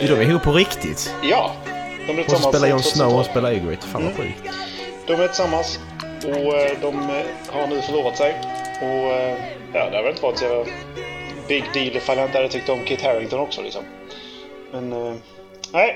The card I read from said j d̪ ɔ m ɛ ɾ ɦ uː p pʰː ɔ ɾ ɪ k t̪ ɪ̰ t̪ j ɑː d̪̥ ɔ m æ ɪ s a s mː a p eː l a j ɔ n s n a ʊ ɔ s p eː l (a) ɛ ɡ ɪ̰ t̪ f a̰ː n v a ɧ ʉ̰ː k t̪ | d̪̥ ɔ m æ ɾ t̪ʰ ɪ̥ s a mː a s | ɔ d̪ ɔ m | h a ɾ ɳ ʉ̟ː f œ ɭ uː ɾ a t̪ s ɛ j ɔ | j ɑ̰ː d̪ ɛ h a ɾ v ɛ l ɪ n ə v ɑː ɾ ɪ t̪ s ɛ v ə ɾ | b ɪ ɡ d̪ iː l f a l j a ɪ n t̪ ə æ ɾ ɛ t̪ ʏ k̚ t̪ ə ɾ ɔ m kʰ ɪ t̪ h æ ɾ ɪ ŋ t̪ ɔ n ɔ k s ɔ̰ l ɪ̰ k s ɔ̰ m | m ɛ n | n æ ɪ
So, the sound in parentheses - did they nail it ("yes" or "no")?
yes